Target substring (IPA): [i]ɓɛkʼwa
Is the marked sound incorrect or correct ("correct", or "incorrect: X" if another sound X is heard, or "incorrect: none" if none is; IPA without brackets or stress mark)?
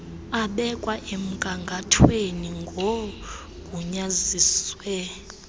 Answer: incorrect: a